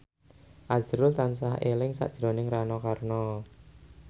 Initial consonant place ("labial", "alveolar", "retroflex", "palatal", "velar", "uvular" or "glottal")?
glottal